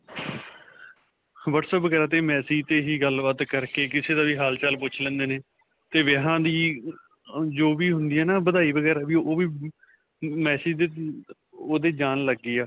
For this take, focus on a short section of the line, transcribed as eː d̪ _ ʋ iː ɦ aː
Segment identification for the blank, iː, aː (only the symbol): aː